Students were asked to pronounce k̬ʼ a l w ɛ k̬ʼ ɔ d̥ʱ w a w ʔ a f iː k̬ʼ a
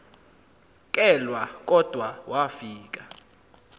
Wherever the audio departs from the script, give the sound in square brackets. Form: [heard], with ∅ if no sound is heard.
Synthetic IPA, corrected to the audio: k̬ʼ [ɛ] l w [a] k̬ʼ ɔ d̥ʱ w a w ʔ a f iː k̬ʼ a